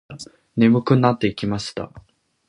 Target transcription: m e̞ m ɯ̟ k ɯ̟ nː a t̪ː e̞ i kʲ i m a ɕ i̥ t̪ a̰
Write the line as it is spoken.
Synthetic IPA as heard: n e̞ m ɯ̟ k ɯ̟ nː a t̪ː e̞ i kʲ i m a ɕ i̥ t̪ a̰